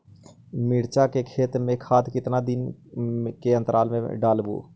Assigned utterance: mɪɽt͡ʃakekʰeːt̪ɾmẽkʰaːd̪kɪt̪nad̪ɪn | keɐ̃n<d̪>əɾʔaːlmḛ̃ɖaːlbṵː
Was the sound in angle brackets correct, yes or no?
no